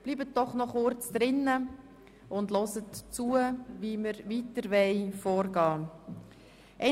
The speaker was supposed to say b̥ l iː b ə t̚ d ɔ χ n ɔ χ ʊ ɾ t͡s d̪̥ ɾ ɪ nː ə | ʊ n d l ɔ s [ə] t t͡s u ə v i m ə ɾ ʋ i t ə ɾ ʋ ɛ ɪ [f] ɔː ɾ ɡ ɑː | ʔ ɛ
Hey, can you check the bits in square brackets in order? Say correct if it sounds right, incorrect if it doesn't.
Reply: correct, correct

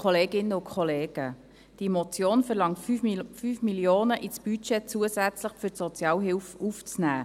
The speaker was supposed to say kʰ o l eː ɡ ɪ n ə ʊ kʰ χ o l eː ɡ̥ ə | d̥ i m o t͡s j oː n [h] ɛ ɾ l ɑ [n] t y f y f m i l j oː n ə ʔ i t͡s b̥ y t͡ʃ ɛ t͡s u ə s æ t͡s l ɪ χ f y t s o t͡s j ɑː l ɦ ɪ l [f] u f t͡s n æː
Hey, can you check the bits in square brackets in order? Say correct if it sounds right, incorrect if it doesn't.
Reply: incorrect: f, incorrect: ŋ, correct

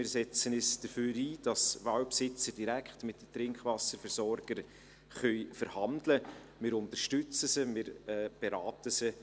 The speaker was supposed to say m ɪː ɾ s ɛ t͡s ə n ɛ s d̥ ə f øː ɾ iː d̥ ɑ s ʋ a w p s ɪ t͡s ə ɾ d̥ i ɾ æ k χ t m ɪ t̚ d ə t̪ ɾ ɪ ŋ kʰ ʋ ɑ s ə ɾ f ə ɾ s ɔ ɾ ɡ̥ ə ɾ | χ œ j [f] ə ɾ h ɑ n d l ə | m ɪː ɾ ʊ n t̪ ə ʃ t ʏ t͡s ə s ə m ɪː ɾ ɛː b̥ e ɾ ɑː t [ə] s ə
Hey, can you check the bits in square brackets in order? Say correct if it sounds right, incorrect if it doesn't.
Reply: correct, correct

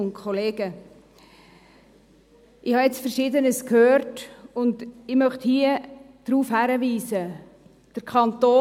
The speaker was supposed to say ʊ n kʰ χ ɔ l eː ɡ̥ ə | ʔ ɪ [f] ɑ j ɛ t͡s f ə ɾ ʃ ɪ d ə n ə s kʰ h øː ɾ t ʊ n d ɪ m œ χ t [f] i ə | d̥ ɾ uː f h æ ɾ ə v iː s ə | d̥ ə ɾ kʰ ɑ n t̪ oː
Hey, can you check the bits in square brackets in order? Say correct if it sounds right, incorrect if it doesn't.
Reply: incorrect: h, incorrect: h

